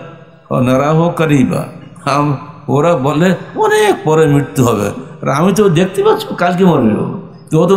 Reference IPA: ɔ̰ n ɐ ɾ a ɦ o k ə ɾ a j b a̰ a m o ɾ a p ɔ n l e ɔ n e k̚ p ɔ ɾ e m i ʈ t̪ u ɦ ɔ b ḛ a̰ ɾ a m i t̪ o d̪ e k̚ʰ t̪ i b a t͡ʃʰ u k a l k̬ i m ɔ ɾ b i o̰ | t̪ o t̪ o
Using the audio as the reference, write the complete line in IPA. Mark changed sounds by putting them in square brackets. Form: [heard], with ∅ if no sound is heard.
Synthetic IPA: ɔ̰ n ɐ ɾ a ɦ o k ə ɾ [i] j b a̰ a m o ɾ a [b] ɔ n l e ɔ n e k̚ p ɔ ɾ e m i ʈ t̪ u ɦ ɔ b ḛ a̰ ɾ a m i t̪ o d̪ e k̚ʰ t̪ i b a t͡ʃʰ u k a l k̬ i m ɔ ɾ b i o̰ | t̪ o t̪ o